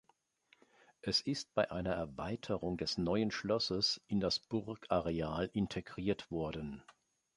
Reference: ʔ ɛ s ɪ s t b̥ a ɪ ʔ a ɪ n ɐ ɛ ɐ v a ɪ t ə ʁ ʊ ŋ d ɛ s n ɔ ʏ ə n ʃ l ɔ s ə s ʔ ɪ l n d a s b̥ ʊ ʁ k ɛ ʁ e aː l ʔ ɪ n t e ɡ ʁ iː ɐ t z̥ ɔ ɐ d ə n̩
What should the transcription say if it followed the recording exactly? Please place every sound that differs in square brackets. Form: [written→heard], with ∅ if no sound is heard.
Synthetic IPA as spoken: ʔ ɛ s ɪ s t b̥ a ɪ ʔ a ɪ n ɐ ɛ ɐ v a ɪ [t→tʰ] ə ʁ ʊ ŋ d ɛ s n ɔ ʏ ə n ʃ l ɔ s ə s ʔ ɪ [l→∅] n d a s b̥ ʊ ʁ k [ɛ→a] ʁ e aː l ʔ ɪ n [t→tʰ] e ɡ ʁ iː ɐ t [z̥→v̥] ɔ ɐ d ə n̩

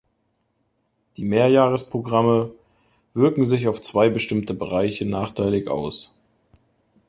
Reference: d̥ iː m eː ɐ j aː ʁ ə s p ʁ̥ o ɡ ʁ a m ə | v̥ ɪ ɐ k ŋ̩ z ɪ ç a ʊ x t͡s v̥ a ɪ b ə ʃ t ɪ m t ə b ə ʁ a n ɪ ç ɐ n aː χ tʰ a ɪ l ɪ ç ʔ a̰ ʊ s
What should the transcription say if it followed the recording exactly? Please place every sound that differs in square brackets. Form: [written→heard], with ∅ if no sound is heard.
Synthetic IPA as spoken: d̥ iː m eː ɐ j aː ʁ ə s p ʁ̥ o ɡ ʁ a m ə | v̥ ɪ ɐ k ŋ̩ z ɪ ç a ʊ [x→f] t͡s v̥ a ɪ b ə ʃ t ɪ m t ə b ə ʁ a [n→∅] ɪ ç [ɐ→ə] n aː χ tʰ a ɪ l ɪ ç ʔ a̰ ʊ s

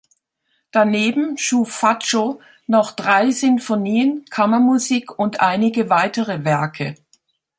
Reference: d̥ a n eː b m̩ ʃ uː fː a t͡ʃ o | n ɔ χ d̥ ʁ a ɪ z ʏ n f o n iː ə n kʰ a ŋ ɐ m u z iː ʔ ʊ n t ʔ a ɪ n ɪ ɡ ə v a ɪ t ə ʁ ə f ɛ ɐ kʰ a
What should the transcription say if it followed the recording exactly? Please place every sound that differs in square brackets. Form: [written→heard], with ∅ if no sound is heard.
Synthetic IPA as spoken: d̥ a n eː b m̩ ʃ uː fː a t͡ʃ o | n ɔ χ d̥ ʁ a ɪ z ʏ n f o n iː ə n kʰ a [ŋ→m] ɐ m u z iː [ʔ→k] ʊ n t ʔ a ɪ n ɪ ɡ ə v a ɪ t ə ʁ ə [f→v] ɛ ɐ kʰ [a→ə]

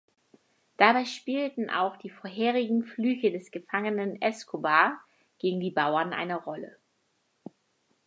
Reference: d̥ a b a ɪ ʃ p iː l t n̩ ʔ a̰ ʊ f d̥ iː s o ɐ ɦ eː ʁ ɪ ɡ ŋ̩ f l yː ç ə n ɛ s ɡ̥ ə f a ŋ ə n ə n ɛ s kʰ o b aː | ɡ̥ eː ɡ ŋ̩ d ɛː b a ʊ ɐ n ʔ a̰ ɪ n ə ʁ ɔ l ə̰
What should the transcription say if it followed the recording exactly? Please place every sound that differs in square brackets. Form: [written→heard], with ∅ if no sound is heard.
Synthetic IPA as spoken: d̥ a b a ɪ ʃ p iː l t n̩ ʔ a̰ ʊ [f→x] d̥ iː [s→f] o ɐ ɦ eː ʁ ɪ ɡ ŋ̩ f l yː ç ə [n→d] ɛ s ɡ̥ ə f a ŋ ə n ə n ɛ s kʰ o b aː | ɡ̥ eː ɡ ŋ̩ d [ɛː→iː] b a ʊ ɐ n ʔ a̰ ɪ n ə ʁ ɔ l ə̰

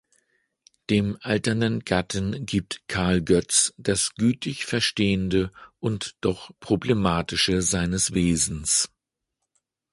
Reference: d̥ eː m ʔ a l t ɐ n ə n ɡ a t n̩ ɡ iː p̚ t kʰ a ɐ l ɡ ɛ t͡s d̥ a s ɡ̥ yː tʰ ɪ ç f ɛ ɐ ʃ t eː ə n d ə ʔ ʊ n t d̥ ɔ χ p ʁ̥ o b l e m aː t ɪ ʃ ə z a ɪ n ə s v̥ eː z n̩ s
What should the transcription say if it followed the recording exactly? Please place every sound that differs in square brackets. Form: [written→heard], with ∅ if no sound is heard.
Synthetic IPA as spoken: d̥ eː m ʔ a l t ɐ n ə n ɡ a t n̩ ɡ iː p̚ t kʰ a ɐ l ɡ [ɛ→œ] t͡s d̥ a s ɡ̥ yː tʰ ɪ ç f ɛ ɐ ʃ t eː ə n d ə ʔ ʊ n t d̥ ɔ χ p ʁ̥ o b l e m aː t ɪ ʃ ə z a ɪ n ə s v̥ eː z n̩ s

